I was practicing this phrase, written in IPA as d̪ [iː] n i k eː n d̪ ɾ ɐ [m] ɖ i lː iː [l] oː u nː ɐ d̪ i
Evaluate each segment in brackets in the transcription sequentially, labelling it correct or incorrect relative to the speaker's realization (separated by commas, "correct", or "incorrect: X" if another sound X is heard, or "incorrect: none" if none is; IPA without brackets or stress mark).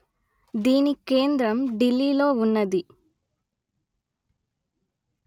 correct, correct, correct